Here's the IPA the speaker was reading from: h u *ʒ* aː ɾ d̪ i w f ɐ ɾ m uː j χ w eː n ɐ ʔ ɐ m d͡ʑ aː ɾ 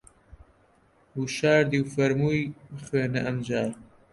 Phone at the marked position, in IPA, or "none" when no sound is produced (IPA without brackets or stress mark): ʃ